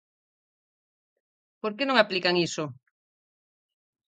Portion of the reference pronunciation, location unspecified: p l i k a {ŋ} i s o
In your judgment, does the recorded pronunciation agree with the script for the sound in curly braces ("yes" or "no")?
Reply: yes